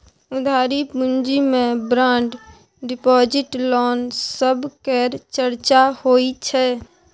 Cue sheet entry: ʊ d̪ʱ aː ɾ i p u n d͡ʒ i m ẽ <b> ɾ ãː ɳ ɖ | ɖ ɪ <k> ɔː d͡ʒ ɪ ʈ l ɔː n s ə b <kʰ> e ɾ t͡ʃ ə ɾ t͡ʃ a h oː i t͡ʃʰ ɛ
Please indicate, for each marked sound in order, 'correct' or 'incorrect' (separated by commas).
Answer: correct, incorrect, incorrect